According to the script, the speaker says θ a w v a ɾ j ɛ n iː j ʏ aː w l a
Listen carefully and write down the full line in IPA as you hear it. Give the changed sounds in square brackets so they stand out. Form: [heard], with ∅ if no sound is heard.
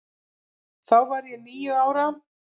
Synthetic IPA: θ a w v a ɾ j ɛ n iː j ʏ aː w [ɾ] a